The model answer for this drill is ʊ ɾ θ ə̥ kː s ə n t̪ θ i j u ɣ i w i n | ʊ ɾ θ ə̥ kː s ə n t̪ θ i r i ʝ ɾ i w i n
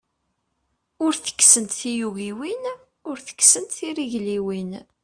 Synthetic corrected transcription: ʊ ɾ θ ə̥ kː s ə n t̪ θ i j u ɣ i w i n | ʊ ɾ θ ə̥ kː s ə n t̪ θ i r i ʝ l i w i n